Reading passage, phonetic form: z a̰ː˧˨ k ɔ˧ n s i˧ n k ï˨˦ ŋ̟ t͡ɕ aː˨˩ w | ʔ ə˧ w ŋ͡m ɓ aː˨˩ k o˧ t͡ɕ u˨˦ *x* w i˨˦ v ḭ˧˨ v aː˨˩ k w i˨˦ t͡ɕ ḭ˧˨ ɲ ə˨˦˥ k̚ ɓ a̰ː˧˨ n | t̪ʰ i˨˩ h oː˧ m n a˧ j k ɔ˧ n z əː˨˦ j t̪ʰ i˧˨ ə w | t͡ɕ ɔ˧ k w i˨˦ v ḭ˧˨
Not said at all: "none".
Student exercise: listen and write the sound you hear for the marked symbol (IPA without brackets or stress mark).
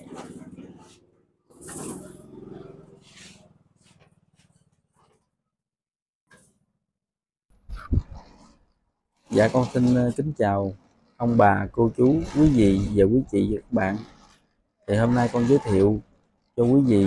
k